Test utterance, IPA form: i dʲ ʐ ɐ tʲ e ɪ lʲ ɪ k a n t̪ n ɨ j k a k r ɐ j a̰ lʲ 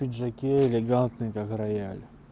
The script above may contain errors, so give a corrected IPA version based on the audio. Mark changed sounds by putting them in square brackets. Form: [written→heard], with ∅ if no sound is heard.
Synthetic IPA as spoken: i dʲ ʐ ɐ [tʲ→kʲ] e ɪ lʲ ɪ [k→ɡ] a n t̪ n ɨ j k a k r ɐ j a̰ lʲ